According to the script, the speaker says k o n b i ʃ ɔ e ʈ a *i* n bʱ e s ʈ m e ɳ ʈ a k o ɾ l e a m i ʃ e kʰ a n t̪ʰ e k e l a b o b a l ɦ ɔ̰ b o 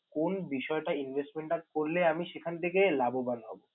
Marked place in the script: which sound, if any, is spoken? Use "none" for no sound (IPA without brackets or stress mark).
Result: i